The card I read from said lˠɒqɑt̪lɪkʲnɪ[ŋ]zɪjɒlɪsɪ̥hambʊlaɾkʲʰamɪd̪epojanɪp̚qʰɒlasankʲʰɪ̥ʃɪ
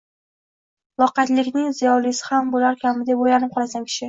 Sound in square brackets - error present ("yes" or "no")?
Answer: no